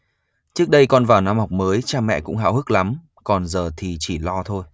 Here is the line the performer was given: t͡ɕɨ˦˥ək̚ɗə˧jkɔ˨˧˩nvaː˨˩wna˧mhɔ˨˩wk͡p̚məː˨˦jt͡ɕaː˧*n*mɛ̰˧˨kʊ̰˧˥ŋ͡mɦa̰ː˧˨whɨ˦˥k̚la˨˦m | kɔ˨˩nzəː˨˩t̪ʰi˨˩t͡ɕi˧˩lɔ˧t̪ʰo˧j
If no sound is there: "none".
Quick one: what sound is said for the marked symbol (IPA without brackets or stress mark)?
none